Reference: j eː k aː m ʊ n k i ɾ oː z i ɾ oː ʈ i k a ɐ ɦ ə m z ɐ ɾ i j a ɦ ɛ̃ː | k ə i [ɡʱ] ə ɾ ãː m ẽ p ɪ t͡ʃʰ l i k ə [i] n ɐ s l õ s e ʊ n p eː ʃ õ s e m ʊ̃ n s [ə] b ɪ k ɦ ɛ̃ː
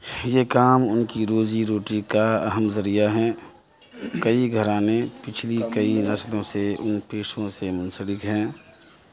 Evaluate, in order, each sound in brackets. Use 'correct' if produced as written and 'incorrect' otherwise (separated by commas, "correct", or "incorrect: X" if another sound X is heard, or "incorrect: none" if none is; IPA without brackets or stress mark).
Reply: correct, correct, correct